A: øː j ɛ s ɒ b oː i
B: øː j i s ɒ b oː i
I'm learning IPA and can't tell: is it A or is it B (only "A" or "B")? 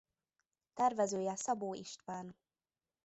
A